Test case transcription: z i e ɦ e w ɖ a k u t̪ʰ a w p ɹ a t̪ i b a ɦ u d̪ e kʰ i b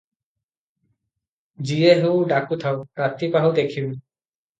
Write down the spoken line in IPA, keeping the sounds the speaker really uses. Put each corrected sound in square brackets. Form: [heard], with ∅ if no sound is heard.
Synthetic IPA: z i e ɦ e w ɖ a k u t̪ʰ a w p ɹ a t̪ i [p] a ɦ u d̪ e kʰ i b